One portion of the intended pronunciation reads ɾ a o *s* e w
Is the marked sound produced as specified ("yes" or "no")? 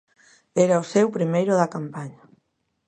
yes